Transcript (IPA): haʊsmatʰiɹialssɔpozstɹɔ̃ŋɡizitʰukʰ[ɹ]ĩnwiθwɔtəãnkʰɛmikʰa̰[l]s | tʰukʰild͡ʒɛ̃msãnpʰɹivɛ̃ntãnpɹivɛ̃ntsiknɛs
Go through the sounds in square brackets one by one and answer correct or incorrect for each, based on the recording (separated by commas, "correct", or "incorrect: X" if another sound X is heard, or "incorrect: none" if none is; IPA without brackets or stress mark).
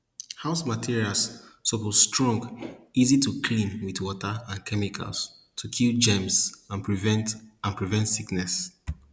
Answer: incorrect: l, correct